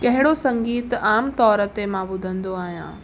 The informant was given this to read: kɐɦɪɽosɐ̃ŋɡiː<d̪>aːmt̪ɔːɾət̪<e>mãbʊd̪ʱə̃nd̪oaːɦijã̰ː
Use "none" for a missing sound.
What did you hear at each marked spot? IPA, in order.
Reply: t̪, e

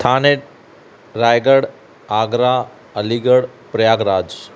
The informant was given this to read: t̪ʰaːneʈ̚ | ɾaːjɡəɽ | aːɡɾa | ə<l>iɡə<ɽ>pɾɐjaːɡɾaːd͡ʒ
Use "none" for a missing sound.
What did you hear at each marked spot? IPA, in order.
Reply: l, ɽ

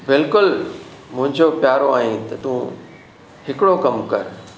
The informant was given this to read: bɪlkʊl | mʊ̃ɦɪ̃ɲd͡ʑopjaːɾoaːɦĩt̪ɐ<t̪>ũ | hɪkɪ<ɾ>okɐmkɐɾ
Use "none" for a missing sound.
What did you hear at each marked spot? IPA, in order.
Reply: t̪, ɽ

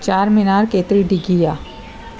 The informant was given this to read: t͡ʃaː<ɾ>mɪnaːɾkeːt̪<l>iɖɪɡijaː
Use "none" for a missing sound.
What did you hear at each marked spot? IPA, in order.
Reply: ɾ, ɾ

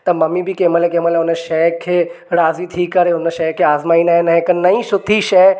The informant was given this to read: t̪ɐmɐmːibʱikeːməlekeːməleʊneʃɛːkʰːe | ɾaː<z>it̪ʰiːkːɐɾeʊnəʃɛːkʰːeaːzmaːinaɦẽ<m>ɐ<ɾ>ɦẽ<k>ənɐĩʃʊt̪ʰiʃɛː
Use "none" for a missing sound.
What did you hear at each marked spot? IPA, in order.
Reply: z, n, none, k

